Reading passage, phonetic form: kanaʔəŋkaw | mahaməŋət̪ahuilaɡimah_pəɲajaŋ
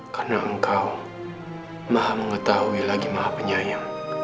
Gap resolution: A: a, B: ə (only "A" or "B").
A